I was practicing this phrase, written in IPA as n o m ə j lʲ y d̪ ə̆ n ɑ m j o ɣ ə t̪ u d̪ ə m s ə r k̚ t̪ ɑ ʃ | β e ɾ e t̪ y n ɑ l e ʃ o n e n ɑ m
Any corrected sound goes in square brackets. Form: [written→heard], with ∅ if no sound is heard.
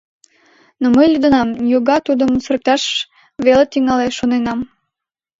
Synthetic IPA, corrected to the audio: n o m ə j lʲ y d̪ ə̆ n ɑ m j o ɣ [ə→ɑ] t̪ u d̪ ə m s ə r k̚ t̪ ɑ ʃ | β e [ɾ→l] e t̪ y [n→ŋ] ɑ l e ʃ o n e n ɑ m